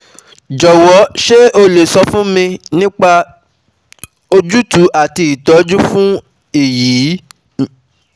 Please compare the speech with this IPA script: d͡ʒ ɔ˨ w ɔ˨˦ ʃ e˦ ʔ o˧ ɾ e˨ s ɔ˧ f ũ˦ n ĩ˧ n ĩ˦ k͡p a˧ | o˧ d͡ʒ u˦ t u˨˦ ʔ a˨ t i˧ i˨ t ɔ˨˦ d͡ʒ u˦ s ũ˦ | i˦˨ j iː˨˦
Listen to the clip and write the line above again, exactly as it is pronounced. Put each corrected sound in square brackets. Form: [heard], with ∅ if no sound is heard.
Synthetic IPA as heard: d͡ʒ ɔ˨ w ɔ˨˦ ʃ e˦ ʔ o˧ [l] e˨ s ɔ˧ f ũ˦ [m] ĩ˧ n ĩ˦ k͡p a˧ | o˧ d͡ʒ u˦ t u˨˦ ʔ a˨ t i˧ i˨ t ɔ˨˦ d͡ʒ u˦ [f] ũ˦ | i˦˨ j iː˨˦